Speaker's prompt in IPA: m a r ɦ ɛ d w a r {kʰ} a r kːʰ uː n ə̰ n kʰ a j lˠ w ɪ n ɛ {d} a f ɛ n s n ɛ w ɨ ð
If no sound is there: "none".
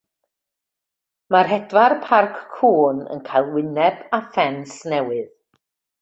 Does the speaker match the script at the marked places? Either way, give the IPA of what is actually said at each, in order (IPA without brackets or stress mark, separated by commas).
pʰ, b